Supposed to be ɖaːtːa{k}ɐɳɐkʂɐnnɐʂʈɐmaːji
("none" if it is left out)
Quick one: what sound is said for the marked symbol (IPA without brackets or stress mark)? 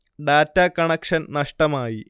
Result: k